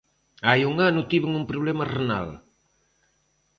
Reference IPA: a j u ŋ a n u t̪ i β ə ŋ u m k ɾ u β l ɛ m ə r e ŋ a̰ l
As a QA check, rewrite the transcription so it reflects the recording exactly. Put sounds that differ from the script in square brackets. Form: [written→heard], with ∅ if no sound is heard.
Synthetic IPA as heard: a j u ŋ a n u t̪ i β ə ŋ u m [k→p] ɾ u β l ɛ m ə r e [ŋ→n] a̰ l